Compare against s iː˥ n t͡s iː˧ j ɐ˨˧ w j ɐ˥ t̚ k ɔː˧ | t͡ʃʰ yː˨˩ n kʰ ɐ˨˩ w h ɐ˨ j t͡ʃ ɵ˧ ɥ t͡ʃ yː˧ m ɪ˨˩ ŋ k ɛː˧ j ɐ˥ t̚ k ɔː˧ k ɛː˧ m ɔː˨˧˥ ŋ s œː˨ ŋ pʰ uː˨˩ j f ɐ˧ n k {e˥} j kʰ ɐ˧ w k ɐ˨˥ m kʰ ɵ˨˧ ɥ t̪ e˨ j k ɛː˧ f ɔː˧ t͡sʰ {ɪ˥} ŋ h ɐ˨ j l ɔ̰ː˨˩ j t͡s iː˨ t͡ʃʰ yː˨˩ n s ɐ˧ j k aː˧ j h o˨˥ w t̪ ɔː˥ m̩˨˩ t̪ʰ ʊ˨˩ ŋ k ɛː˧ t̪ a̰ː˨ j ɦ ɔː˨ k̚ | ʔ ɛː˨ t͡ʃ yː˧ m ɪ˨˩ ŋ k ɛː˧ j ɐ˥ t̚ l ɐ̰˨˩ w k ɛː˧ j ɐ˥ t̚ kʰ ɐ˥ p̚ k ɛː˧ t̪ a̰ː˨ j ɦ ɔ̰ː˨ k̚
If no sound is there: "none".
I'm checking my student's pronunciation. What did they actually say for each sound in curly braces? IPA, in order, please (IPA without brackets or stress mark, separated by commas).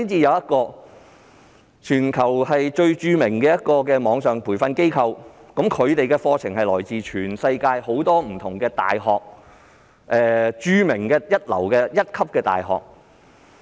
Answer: e˥, ɪ˨˩